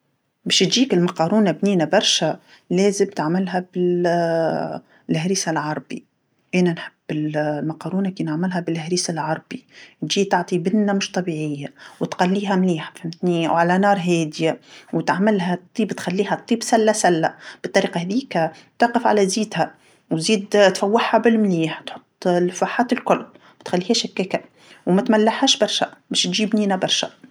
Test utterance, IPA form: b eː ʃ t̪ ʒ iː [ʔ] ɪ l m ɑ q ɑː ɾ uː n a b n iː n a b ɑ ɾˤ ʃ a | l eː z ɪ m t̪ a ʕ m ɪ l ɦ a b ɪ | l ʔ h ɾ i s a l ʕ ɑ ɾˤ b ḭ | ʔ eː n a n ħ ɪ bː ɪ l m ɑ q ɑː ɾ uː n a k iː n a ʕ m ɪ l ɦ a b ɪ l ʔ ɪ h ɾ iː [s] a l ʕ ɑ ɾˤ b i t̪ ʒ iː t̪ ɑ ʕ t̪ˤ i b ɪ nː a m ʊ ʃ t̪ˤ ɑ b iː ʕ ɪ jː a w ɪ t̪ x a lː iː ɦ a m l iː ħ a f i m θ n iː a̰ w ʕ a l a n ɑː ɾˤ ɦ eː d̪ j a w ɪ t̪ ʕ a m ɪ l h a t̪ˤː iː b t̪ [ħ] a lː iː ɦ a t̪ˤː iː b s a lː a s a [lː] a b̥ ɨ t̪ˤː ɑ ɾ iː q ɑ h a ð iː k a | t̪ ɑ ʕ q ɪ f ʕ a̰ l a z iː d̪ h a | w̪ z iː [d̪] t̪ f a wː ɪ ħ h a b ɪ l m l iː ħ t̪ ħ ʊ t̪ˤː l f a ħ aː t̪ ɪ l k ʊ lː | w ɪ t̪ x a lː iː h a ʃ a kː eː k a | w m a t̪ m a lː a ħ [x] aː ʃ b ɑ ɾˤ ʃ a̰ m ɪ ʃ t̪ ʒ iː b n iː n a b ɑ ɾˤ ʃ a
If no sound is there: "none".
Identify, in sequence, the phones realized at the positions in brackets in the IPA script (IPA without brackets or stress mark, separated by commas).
k, s, x, lː, d̪, h